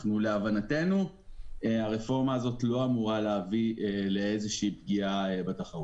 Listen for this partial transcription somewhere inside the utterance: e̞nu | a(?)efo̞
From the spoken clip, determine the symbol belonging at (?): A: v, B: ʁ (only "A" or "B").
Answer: B